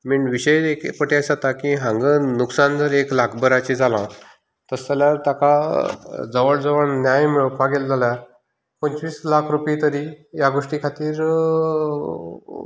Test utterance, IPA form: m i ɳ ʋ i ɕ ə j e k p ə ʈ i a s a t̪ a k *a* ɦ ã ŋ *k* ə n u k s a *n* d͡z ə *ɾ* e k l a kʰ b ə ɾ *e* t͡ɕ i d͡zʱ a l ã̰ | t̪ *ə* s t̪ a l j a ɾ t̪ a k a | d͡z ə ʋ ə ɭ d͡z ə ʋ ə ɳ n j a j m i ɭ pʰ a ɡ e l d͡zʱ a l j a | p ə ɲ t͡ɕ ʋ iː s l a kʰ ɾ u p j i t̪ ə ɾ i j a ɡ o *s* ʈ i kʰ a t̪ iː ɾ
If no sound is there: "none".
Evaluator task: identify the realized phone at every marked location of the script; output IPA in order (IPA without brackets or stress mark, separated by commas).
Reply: i, ɡ, n, ɾ, a, ə, ʂ